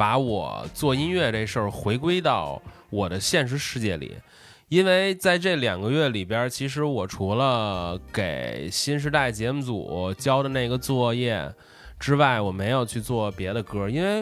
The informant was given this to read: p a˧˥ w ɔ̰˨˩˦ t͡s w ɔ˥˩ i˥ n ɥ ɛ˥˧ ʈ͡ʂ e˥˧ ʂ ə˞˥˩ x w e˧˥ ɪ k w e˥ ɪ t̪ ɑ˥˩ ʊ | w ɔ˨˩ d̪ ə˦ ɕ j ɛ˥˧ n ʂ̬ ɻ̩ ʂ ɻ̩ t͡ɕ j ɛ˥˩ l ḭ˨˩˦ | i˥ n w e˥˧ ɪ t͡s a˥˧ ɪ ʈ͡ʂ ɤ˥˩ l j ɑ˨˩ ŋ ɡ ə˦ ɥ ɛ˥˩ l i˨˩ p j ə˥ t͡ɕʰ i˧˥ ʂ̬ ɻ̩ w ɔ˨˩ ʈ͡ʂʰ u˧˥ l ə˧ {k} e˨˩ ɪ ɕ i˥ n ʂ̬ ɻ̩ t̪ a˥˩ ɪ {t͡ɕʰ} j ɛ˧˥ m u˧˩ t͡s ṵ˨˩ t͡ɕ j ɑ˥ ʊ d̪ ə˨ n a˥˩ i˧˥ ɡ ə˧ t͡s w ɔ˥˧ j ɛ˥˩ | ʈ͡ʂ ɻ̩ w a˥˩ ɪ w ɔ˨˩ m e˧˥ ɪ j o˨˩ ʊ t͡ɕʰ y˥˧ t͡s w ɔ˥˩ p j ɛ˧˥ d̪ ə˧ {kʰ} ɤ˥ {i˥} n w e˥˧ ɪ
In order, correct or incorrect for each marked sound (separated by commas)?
correct, incorrect, incorrect, correct